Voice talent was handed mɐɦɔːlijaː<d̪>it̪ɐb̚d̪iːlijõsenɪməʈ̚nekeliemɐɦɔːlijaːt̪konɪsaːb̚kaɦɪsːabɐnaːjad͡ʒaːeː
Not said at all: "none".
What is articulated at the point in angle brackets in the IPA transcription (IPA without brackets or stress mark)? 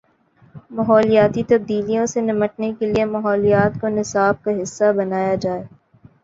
t̪